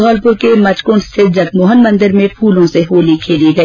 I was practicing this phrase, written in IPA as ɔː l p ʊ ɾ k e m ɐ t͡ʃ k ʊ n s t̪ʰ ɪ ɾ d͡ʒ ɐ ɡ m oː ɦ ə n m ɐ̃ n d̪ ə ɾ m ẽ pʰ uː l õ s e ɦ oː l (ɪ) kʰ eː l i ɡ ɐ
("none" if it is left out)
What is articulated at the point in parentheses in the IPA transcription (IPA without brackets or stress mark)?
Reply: i